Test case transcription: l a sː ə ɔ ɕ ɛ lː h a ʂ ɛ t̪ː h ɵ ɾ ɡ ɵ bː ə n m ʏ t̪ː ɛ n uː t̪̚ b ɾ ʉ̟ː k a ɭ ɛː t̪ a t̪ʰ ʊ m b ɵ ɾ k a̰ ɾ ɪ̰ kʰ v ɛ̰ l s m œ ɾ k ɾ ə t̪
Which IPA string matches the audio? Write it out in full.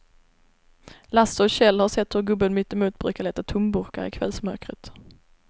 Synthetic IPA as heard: l a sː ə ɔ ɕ ɛ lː h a ʂ ɛ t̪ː h ɵ ɾ ɡ ɵ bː ə n m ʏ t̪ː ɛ m uː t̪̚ b ɾ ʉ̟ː k a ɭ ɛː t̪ a t̪ʰ ʊ m b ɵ ɾ k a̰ ɾ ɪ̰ kʰ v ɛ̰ l s m œ ɾ k ɾ ə t̪